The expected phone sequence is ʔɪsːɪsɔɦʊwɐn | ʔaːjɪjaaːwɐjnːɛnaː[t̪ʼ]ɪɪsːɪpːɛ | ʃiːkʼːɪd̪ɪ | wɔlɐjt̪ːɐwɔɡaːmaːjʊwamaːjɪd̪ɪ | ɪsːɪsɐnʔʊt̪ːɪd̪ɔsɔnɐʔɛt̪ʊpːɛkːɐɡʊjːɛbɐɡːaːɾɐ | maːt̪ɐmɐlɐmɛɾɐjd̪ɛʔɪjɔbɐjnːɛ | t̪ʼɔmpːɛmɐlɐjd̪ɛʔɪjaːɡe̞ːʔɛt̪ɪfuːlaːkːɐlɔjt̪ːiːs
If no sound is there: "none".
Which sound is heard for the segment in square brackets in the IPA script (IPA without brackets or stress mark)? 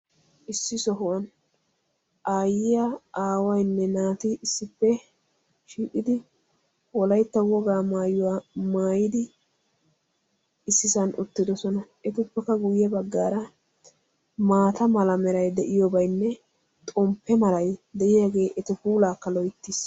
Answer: t̪